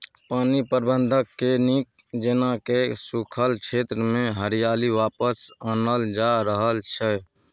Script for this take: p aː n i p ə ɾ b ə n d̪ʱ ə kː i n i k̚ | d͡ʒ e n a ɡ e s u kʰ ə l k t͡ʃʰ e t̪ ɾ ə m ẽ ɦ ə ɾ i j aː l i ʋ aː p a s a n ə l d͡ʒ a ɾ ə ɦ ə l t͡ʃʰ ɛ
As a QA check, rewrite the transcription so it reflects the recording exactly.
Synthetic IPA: p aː n i p ə ɾ b ə n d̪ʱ ə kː e n i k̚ | d͡ʒ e n a k e s u kʰ ə l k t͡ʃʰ e t̪ ɾ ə m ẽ ɦ ə ɾ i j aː l i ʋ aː p ə s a n ə l d͡ʒ a ɾ ə ɦ ə l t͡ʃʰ ɛ